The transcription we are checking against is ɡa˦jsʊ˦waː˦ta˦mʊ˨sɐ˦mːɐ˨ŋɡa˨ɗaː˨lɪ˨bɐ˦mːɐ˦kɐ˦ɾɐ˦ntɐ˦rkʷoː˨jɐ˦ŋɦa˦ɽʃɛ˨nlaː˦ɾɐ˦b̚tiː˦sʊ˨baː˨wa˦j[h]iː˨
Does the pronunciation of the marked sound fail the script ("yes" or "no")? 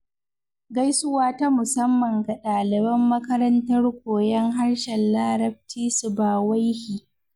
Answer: no